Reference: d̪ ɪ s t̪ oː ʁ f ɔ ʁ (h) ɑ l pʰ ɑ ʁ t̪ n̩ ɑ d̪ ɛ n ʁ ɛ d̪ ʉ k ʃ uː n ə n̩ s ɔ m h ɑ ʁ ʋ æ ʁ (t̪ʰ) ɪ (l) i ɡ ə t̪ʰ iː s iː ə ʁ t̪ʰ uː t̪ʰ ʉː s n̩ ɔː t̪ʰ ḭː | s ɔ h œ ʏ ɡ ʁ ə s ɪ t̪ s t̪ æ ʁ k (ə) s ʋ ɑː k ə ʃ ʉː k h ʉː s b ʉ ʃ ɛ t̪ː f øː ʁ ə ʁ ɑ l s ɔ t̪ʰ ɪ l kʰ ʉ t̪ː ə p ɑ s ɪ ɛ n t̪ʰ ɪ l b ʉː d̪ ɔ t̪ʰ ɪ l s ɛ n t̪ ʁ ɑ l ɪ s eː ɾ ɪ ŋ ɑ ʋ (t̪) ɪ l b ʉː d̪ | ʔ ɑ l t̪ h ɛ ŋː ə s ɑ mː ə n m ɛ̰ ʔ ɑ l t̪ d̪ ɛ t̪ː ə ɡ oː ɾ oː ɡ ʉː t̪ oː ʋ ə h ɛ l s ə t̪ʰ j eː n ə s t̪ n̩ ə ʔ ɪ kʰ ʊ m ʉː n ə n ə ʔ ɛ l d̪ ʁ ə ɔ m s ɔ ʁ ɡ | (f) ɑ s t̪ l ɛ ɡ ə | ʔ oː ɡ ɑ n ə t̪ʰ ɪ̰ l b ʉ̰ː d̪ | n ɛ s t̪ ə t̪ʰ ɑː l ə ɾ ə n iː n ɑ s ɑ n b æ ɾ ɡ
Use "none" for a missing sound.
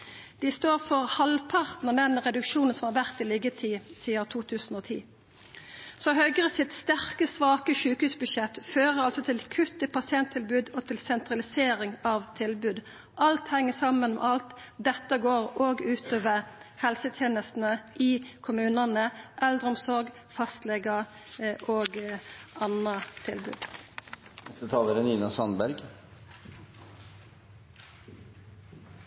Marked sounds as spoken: h, t̪, l, ə, t̪ʰ, f

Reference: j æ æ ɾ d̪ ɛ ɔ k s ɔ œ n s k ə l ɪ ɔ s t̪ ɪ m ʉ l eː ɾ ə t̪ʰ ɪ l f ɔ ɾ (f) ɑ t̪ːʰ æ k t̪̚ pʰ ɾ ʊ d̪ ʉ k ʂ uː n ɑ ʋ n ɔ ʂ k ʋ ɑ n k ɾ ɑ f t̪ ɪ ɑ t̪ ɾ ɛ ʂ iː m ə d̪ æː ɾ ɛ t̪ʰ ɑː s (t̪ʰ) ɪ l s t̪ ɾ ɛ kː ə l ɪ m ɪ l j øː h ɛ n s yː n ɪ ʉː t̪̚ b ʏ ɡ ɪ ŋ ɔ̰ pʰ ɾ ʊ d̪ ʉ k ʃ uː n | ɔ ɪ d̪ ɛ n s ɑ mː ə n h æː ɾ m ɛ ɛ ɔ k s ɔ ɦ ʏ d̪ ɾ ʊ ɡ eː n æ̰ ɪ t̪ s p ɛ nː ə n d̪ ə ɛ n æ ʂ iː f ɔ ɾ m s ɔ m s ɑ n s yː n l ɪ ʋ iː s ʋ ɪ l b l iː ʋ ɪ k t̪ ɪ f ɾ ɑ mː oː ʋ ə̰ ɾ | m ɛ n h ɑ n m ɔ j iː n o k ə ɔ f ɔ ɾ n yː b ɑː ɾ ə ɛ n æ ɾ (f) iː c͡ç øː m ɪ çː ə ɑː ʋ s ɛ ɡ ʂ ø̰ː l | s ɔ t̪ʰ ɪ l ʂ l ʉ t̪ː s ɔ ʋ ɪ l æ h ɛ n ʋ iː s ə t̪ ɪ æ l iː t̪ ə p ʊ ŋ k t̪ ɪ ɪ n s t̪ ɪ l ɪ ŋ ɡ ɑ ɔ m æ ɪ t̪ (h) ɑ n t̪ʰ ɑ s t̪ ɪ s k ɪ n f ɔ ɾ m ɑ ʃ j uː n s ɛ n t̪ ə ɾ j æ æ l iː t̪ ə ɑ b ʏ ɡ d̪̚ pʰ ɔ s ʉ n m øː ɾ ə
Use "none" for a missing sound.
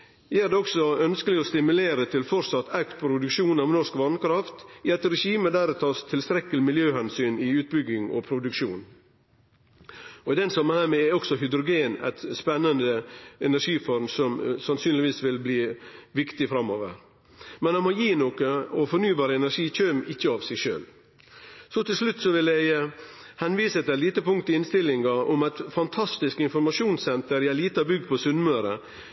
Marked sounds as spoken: s, t̪ʰ, ʂ, f

